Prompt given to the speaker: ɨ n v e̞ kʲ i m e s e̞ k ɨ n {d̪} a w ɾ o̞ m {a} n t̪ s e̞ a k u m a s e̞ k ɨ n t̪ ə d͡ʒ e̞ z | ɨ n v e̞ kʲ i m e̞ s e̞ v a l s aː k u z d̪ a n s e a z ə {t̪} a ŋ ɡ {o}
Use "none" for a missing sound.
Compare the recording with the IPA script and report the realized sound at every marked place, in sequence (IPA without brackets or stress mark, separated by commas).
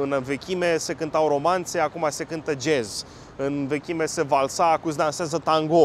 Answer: t̪, a, t̪, o